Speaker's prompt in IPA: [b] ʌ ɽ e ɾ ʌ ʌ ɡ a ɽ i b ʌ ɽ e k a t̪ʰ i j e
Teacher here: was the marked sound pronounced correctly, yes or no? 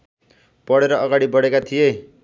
no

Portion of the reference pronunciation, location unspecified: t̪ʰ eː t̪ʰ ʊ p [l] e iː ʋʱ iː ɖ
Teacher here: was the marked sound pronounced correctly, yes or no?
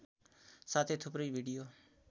no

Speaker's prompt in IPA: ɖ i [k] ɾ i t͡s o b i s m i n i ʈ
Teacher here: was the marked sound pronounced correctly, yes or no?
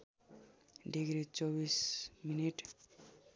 no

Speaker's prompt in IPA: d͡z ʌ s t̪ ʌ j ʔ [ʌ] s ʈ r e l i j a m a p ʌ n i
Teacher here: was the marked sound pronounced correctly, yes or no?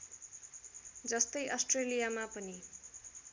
yes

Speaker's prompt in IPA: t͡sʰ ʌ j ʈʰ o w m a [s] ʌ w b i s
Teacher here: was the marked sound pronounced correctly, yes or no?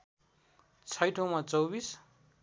no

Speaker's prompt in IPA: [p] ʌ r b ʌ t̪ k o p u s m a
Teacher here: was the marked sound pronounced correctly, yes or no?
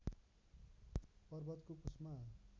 yes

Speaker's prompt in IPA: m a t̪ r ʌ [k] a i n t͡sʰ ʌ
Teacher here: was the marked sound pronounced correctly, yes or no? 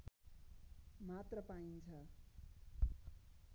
no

